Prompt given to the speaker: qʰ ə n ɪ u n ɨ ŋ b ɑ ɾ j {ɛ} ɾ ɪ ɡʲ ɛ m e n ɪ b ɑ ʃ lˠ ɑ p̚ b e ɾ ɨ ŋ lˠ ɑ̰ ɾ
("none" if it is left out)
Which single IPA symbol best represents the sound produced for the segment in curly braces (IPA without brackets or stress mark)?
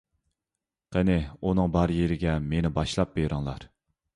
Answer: e